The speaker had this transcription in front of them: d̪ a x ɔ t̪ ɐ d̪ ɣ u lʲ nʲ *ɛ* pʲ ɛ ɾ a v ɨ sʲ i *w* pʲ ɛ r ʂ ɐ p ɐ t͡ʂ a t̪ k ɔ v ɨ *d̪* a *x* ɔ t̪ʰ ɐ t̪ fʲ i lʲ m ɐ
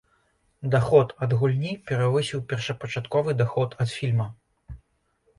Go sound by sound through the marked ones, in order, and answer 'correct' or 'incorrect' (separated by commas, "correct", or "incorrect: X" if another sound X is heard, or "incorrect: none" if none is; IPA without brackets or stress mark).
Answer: incorrect: i, correct, correct, correct